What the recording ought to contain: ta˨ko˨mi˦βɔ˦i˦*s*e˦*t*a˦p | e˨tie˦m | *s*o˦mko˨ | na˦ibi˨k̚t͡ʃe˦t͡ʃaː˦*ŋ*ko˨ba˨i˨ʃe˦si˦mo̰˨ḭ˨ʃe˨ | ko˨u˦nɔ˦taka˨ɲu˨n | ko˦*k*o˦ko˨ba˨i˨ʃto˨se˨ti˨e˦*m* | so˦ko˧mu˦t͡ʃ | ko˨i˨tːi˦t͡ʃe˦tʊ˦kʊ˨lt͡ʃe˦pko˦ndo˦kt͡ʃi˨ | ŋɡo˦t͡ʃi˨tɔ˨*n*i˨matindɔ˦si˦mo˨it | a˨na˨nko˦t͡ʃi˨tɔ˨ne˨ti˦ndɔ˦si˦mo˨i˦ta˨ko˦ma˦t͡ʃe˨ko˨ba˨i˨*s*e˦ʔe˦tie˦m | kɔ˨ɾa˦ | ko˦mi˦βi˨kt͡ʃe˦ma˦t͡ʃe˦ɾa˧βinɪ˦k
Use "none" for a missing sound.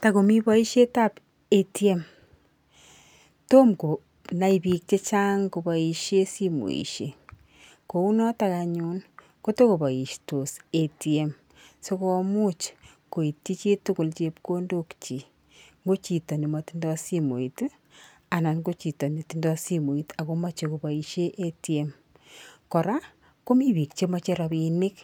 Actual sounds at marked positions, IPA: ʃ, t, t, ŋ, t, m, n, ʃ

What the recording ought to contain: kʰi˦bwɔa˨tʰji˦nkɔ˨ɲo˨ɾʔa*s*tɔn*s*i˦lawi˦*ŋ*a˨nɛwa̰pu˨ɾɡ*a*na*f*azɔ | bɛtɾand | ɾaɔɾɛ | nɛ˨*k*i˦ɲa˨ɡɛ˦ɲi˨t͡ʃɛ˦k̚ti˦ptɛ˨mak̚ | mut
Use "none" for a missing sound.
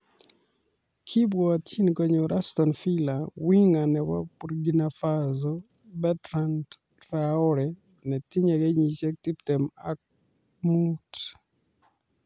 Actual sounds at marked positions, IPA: s, f, ŋ, i, f, t

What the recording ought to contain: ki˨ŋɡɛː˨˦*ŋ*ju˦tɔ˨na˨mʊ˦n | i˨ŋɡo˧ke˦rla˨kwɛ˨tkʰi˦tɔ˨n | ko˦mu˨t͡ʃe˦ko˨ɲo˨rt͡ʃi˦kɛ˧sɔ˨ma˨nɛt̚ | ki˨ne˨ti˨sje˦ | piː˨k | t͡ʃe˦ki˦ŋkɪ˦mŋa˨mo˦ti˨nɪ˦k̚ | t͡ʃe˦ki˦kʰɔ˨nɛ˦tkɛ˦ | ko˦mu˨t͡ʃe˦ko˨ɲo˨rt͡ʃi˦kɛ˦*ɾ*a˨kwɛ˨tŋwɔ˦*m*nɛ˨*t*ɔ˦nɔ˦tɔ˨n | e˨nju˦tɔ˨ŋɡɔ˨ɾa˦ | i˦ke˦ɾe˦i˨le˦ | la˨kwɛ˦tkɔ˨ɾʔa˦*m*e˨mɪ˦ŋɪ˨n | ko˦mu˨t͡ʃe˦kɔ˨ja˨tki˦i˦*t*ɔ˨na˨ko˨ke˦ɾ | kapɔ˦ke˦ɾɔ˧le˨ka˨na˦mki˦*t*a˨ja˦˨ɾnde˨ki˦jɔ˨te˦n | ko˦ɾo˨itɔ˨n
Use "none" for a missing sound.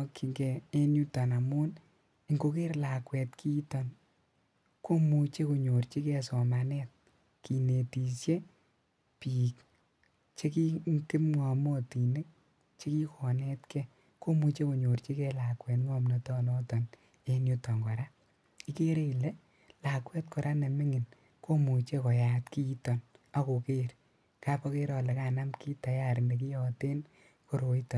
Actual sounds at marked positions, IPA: n, l, m, t, n, t, t

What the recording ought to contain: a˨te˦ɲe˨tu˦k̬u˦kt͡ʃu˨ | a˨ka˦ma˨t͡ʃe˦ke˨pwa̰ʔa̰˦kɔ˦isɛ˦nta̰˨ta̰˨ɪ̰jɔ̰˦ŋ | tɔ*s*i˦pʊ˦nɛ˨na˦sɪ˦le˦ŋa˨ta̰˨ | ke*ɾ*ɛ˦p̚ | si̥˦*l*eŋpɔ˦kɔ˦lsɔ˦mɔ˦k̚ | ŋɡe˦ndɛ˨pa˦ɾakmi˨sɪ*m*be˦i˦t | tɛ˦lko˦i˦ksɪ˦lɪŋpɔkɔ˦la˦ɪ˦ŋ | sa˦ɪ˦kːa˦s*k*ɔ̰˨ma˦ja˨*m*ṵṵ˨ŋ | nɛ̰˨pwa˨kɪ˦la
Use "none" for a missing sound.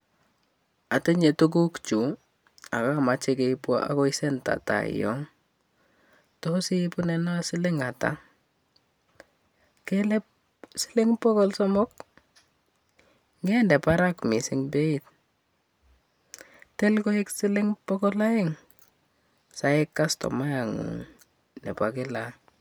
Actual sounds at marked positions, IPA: s, l, l, ŋ, t, ŋ

